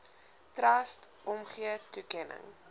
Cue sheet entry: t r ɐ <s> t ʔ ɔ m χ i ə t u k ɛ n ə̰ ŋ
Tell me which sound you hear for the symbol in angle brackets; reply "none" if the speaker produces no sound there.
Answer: s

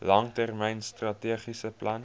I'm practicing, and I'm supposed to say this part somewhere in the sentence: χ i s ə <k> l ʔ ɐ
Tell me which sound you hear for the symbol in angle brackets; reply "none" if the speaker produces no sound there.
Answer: p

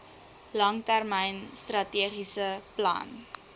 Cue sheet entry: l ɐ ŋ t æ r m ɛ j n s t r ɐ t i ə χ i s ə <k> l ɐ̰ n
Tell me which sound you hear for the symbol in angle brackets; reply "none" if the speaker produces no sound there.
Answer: p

